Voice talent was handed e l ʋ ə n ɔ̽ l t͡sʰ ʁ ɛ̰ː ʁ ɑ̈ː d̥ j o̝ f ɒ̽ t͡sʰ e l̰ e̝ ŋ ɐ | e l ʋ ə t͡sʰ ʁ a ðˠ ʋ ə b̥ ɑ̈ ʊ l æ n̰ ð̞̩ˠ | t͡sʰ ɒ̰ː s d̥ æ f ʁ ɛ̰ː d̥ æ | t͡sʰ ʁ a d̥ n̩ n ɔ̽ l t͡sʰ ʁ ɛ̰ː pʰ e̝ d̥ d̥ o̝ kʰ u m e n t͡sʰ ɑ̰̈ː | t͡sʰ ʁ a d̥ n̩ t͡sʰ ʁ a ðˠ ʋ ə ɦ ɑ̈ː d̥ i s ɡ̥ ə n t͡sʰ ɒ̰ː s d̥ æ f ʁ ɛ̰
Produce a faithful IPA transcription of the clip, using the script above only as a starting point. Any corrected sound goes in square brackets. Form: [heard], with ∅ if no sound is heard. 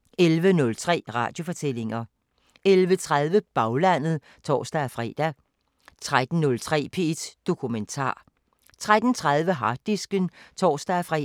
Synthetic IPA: e l ʋ ə n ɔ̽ l t͡sʰ ʁ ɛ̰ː ʁ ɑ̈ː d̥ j o̝ f ɒ̽ t͡sʰ e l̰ e̝ ŋ ɐ | e l ʋ ə t͡sʰ ʁ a ðˠ ʋ ə b̥ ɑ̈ ʊ l æ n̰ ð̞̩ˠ | t͡sʰ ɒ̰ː s d̥ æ f ʁ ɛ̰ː d̥ æ | t͡sʰ ʁ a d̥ n̩ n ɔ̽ l t͡sʰ ʁ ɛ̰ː pʰ e̝ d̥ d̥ o̝ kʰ u m e n t͡sʰ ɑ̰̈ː | t͡sʰ ʁ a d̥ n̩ t͡sʰ ʁ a ðˠ ʋ ə ɦ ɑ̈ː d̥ i s ɡ̥ ə n t͡sʰ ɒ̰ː s d̥ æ f ʁ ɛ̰